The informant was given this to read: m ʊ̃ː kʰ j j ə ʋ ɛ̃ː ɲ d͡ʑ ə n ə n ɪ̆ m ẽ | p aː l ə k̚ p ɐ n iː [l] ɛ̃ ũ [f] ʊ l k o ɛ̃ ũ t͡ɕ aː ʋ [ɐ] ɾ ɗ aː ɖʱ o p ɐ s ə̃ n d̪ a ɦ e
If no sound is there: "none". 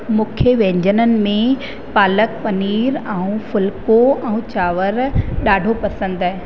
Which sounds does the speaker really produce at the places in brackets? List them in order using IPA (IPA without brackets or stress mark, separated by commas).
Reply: ɾ, f, ə